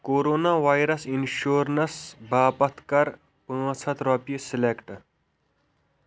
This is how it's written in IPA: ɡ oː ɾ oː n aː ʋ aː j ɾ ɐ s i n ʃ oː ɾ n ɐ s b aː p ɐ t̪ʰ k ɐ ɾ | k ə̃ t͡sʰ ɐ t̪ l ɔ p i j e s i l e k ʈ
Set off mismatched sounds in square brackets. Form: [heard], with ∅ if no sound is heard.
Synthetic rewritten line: [k] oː ɾ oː n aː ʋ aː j ɾ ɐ s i n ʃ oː ɾ n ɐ s b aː p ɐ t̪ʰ k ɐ ɾ | [p] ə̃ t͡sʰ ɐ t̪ [ɾ] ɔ p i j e s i l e k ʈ